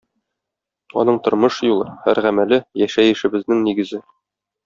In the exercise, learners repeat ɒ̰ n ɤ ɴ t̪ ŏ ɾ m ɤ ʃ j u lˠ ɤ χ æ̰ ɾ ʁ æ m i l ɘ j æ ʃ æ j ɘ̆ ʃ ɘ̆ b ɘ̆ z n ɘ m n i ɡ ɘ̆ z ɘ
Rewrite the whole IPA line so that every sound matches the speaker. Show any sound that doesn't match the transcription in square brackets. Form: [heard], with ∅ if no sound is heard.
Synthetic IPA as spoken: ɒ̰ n ɤ ɴ t̪ ŏ ɾ m ɤ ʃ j u lˠ ɤ [h] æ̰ ɾ ʁ æ m [æ] l ɘ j æ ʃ æ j ɘ̆ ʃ ɘ̆ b ɘ̆ z n ɘ [ŋ] n i ɡ ɘ̆ z ɘ